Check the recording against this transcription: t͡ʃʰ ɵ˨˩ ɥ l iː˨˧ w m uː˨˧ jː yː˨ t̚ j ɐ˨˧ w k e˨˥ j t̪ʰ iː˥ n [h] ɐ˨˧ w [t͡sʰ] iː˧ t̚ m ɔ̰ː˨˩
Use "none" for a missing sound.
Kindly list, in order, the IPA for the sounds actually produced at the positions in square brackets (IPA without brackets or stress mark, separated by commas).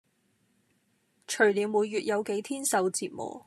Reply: s, t͡s